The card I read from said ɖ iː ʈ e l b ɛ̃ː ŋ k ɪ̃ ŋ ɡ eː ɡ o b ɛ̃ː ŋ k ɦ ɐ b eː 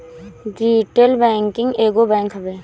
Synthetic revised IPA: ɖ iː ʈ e l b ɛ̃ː ŋ k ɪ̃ ŋ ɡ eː ɡ o b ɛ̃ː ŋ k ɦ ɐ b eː